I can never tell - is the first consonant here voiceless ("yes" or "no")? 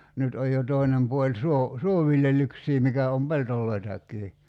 no